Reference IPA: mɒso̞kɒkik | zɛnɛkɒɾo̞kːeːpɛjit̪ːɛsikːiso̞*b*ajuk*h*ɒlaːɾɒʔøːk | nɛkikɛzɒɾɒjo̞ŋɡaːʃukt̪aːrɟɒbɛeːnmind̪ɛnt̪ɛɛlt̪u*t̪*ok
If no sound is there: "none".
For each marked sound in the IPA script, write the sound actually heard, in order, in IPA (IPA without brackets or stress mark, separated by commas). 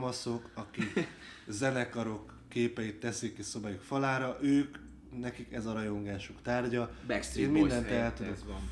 b, f, d̪